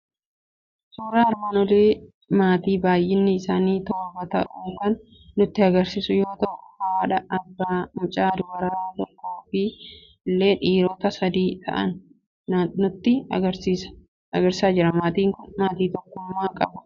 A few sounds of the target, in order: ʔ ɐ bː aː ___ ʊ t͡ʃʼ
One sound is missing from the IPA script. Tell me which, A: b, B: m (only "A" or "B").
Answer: B